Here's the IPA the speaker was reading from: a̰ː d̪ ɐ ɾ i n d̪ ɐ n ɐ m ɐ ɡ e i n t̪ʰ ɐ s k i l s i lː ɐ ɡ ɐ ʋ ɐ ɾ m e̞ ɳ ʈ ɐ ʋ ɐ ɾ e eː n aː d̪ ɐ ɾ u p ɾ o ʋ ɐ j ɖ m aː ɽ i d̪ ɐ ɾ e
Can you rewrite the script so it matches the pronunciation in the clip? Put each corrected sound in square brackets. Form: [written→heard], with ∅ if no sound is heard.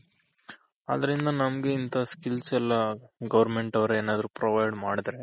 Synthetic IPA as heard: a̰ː d̪ ɐ ɾ i n d̪ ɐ n ɐ m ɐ ɡ e i n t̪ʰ ɐ s k i l s [i→ɛ] lː ɐ ɡ ɐ ʋ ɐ ɾ m e̞ ɳ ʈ ɐ ʋ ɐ ɾ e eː n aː d̪ ɐ ɾ u p ɾ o ʋ ɐ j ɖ m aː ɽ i d̪ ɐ ɾ e